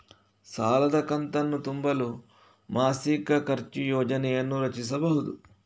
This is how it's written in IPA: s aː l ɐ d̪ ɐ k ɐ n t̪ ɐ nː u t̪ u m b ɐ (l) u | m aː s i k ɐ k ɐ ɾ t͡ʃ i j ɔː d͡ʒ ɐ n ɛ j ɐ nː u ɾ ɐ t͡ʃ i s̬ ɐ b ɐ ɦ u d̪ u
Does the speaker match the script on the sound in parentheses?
yes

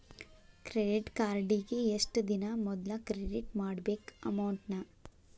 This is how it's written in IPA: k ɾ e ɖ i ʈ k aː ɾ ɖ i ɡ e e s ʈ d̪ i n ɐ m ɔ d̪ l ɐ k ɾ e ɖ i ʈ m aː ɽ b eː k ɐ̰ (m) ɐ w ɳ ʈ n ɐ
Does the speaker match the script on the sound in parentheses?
yes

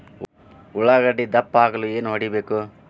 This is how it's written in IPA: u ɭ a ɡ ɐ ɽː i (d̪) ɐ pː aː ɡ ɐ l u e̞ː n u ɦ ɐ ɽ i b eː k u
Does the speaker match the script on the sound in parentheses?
yes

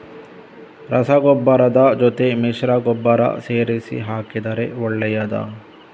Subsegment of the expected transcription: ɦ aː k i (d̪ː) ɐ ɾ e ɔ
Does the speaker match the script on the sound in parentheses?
no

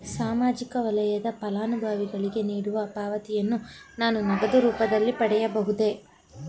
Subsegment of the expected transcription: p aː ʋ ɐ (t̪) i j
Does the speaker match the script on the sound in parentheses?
yes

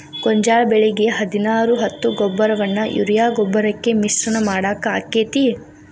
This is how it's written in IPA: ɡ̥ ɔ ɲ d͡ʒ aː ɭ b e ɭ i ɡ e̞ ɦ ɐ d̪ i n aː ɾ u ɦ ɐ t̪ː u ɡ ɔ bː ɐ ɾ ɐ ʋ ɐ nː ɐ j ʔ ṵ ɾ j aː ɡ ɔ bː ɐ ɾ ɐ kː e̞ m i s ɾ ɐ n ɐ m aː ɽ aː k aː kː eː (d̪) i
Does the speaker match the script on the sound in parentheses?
no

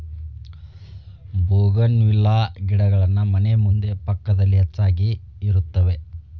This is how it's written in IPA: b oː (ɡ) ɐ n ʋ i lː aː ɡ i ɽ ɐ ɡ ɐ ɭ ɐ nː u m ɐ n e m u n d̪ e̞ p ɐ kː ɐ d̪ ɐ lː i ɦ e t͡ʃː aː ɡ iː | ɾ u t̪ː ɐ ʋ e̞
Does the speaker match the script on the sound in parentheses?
yes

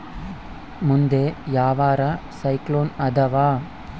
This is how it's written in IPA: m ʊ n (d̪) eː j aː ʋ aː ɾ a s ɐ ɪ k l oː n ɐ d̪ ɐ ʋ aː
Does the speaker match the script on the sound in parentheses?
yes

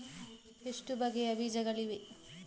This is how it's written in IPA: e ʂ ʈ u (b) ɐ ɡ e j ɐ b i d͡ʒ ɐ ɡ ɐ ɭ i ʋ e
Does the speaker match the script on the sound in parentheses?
yes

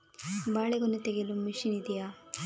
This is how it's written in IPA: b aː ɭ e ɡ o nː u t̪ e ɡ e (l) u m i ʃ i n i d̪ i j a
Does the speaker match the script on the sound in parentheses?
yes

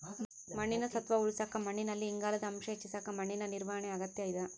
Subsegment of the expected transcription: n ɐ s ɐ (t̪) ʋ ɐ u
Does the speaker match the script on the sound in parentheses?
yes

